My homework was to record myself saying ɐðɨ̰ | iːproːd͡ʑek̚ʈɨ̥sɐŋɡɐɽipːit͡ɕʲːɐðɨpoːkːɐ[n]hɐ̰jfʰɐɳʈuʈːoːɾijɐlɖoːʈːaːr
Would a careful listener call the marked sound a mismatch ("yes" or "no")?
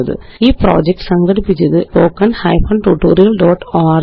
no